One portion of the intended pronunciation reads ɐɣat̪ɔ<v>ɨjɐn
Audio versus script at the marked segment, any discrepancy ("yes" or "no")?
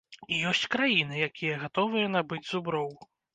no